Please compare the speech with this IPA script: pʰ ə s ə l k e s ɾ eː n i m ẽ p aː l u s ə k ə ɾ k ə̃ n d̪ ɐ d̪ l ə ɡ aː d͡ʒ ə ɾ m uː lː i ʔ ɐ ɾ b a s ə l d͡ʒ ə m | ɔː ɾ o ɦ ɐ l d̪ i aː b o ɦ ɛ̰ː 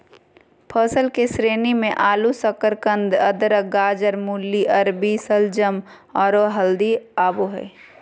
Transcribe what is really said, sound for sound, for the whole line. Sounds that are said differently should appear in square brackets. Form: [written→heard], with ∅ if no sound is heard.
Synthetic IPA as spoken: pʰ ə s ə l k e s ɾ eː n i m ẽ [p→ʔ] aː l u s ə k ə ɾ k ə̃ n d̪ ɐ d̪ [l→ɾ] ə ɡ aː d͡ʒ ə ɾ m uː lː i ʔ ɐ ɾ b [a→i] s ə l d͡ʒ ə m | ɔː ɾ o ɦ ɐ l d̪ i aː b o ɦ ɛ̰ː